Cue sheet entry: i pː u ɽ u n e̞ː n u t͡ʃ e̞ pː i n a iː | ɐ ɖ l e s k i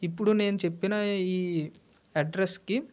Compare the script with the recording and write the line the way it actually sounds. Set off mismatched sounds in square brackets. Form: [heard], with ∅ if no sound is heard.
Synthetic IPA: i pː u ɽ u n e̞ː n u t͡ʃ e̞ pː i n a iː | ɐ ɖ [ɾ] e s k i